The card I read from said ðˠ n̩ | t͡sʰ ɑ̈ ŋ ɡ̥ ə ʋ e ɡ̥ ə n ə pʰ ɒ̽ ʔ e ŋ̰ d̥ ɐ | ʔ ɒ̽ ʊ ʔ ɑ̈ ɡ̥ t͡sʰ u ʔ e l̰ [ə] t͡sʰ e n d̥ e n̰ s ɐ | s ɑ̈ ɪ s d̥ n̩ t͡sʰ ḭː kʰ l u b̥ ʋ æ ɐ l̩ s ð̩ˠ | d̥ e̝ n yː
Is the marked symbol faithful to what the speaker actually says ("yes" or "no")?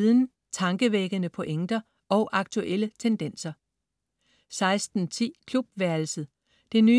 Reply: yes